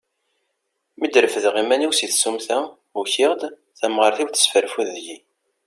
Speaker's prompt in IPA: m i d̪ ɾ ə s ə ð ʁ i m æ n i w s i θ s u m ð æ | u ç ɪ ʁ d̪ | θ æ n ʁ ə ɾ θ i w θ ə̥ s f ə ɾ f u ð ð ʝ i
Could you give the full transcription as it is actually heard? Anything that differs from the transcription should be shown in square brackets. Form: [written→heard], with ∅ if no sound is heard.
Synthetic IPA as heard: m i d̪ ɾ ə [s→f] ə ð ʁ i m æ n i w s i θ s u m [ð→θ] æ | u ç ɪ ʁ d̪ | θ æ [n→m] ʁ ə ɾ θ i w θ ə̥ s f ə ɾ f u ð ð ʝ i